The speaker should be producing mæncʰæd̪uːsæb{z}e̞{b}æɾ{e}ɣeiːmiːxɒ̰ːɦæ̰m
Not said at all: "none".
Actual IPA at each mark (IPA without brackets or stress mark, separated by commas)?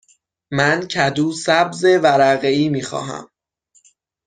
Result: z, v, æ